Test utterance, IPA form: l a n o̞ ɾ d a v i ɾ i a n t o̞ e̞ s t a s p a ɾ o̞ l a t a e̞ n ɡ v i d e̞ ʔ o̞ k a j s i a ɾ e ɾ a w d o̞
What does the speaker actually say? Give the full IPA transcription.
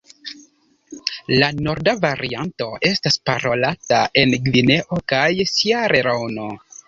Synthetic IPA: l a n o̞ ɾ d a v a ɾ i a n t o̞ e̞ s t a s p a ɾ o̞ l a t a e̞ n ɡ v i n e̞ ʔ o̞ k a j s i a ɾ e ɾ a w n o̞